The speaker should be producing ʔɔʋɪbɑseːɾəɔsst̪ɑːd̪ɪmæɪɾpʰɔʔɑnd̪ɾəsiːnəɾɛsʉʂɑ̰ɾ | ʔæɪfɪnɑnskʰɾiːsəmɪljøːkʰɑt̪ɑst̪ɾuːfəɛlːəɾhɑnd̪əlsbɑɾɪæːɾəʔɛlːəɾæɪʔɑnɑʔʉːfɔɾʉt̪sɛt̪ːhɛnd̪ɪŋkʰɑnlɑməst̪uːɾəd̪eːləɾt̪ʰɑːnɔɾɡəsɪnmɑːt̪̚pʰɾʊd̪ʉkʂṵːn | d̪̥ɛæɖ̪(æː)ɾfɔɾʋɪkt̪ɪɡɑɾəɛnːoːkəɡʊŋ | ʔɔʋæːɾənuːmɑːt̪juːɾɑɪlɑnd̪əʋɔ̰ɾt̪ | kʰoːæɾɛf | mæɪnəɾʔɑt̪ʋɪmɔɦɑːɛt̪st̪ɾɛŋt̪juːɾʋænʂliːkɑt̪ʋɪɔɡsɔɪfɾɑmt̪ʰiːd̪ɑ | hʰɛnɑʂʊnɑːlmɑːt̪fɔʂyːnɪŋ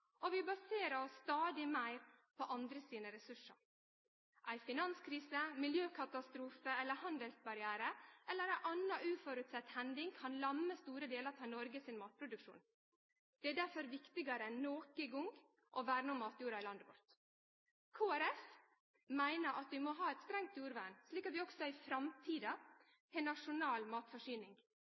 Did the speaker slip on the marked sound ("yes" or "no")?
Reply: yes